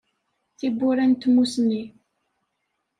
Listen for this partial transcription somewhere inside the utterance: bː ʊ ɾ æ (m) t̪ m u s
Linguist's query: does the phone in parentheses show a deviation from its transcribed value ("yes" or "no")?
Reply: yes